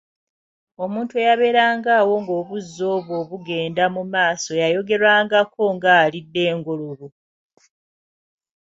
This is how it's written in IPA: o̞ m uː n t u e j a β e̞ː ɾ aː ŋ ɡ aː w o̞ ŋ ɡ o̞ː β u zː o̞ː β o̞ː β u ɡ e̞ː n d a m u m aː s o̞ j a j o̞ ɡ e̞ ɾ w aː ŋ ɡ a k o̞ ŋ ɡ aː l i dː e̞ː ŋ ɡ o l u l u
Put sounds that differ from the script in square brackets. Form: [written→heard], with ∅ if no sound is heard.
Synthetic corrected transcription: o̞ m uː n t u e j a β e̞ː ɾ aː ŋ ɡ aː w o̞ ŋ ɡ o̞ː β u zː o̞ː β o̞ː β u ɡ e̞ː n d a m u m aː s o̞ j a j o̞ ɡ e̞ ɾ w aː ŋ ɡ a k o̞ ŋ ɡ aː l i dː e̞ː ŋ ɡ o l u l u